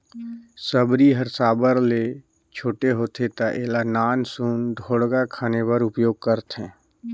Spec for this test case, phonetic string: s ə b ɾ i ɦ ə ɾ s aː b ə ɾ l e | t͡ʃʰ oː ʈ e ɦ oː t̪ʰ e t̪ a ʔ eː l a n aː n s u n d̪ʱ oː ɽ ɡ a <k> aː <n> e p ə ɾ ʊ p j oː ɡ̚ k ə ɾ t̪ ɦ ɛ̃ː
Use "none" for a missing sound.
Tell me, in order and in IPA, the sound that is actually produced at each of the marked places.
kʰ, n

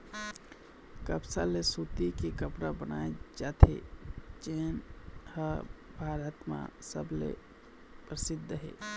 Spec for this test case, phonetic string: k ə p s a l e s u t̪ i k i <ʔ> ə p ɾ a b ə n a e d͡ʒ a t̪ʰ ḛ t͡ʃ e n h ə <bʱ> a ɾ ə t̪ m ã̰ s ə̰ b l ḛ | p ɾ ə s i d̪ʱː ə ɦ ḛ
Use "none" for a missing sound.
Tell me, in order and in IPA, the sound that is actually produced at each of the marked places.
k, bʱ

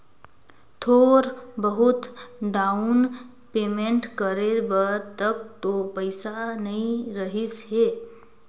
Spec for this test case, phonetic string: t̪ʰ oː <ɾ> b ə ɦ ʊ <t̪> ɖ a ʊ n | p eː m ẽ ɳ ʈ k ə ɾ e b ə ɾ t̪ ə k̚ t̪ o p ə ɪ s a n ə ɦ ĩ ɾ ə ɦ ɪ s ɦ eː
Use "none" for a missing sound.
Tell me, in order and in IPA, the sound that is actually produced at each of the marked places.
ɾ, t̪

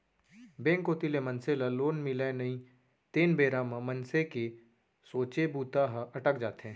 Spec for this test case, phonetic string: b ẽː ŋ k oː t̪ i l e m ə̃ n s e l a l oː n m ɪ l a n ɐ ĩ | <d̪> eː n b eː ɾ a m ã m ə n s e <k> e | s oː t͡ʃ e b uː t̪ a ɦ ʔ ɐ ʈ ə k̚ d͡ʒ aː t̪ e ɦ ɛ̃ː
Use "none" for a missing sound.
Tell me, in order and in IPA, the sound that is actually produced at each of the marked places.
t̪, k

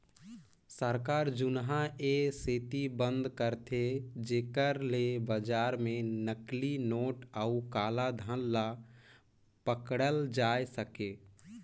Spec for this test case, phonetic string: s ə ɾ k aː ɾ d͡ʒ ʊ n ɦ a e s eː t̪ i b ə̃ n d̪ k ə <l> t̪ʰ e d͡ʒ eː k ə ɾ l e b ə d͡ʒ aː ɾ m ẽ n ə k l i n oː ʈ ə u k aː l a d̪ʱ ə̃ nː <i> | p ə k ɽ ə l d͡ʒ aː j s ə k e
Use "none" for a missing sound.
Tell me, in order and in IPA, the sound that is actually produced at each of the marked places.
ɾ, a

